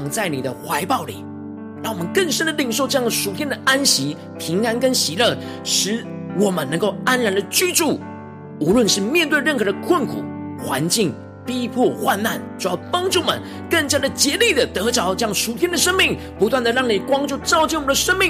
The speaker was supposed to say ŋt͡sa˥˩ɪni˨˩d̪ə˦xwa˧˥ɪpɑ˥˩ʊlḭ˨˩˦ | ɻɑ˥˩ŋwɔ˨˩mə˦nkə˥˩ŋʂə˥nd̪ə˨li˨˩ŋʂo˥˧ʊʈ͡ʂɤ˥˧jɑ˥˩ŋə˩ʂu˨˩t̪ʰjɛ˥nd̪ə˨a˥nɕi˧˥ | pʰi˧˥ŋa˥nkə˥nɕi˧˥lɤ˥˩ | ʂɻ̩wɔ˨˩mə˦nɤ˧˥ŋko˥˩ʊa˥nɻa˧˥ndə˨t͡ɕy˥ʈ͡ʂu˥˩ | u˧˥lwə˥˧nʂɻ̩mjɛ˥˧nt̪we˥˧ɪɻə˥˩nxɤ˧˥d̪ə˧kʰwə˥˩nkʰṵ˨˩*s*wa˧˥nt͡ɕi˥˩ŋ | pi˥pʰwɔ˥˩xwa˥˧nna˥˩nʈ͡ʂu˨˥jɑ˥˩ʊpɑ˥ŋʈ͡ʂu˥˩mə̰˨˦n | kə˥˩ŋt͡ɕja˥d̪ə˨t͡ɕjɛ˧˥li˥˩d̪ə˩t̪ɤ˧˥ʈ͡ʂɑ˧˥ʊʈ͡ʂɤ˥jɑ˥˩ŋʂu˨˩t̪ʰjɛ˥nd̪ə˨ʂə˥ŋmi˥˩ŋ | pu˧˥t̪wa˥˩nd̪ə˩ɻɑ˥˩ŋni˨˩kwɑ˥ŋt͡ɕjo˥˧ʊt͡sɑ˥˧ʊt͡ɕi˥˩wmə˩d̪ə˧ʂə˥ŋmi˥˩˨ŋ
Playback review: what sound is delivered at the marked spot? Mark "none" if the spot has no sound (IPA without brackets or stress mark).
x